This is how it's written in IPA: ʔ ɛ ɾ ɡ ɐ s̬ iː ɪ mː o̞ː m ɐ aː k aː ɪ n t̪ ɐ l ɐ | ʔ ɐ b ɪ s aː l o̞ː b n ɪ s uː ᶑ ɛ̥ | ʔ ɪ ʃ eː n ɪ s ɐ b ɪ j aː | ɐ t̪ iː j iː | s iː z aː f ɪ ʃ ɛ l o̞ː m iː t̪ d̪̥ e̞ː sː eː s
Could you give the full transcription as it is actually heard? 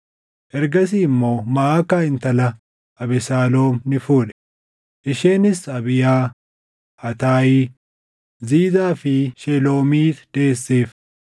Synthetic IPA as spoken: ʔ ɛ ɾ ɡ ɐ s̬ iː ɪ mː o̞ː m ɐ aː k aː ɪ n t̪ ɐ l ɐ | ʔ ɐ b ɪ s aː l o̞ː m n ɪ f uː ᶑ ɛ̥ | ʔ ɪ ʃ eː n ɪ s ɐ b ɪ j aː | ɐ t̪ aː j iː | z iː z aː f ɪ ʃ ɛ l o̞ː m iː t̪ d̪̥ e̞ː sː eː f